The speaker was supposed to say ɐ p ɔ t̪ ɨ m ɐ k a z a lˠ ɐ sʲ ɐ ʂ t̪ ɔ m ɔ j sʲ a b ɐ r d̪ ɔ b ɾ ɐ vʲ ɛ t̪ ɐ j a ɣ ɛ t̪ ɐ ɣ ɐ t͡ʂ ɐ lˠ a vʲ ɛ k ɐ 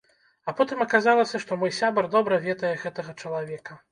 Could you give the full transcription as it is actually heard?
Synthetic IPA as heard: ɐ p ɔ t̪ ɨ m ɐ k a z a lˠ ɐ sʲ ɐ ʂ t̪ ɔ m ɔ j sʲ a b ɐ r d̪ ɔ b ɾ ɐ vʲ ɛ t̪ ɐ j ɛ ɣ ɛ t̪ ɐ ɣ ɐ t͡ʂ ɐ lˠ a vʲ ɛ k ɐ